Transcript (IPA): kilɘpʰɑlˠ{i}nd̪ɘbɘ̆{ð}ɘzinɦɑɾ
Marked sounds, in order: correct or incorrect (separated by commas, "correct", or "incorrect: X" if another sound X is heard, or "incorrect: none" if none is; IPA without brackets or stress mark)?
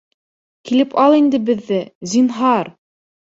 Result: correct, incorrect: ðː